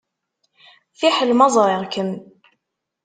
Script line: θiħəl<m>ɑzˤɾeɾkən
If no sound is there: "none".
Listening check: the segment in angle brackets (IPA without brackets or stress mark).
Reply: m